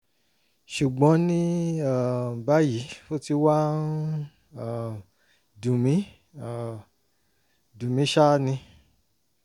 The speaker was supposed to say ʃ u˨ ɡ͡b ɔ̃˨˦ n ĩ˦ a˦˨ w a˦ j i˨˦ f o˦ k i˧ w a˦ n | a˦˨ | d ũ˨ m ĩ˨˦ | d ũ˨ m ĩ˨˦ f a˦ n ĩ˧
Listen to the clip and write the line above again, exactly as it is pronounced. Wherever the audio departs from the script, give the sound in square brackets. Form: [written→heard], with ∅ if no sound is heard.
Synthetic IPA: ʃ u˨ ɡ͡b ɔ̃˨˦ n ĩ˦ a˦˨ [w→b] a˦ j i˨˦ f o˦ [k→t] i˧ w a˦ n | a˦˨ | d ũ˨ m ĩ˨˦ | d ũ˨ m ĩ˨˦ [f→ʃ] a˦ n ĩ˧